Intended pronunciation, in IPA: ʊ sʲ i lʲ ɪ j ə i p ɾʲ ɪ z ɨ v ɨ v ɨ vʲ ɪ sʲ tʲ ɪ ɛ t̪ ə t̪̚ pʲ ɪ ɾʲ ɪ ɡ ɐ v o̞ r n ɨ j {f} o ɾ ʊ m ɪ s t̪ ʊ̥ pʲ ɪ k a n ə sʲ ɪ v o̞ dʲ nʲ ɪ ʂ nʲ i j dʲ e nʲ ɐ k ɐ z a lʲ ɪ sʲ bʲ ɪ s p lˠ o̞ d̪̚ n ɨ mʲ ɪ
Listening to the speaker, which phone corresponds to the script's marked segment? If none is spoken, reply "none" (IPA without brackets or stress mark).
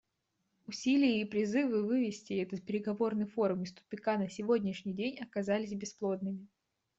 f